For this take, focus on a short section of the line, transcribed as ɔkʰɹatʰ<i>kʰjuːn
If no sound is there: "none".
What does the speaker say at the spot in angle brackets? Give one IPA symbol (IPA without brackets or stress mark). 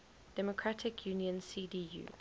ɪ